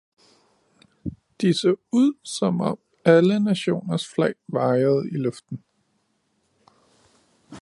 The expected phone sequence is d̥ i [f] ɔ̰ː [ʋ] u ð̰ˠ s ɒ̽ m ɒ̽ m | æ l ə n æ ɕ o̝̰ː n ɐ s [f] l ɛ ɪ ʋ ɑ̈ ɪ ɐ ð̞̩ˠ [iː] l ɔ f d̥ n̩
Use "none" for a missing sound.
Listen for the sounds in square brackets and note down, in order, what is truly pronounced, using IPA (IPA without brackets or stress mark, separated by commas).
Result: s, none, f, i